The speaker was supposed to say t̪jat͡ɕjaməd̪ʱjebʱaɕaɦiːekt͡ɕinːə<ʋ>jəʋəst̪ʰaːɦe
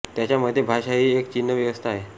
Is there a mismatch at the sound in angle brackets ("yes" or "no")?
no